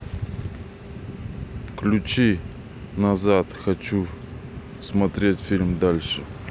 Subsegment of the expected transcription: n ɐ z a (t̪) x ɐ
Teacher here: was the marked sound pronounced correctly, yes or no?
yes